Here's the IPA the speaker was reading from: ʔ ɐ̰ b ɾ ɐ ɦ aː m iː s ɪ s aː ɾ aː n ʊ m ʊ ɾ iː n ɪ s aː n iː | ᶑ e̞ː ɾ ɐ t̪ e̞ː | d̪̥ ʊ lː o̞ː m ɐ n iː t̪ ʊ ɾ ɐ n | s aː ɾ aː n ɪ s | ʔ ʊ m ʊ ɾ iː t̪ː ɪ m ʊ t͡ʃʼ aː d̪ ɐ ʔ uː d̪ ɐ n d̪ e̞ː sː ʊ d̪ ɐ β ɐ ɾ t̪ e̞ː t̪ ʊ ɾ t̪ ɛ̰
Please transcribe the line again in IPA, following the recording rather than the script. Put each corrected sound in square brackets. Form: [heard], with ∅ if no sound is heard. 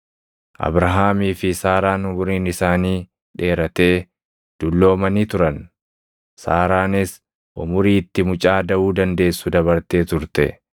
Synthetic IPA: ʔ ɐ̰ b ɾ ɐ ɦ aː m iː [f] ɪ s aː ɾ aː n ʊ m ʊ ɾ iː n ɪ s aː n iː | ᶑ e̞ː ɾ ɐ t̪ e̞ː | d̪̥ ʊ lː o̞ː m ɐ n iː t̪ ʊ ɾ ɐ n | s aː ɾ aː n ɪ s | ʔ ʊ m ʊ ɾ iː t̪ː ɪ m ʊ t͡ʃʼ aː d̪ ɐ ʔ uː d̪ ɐ n d̪ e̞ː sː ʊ d̪ ɐ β ɐ ɾ t̪ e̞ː t̪ ʊ ɾ t̪ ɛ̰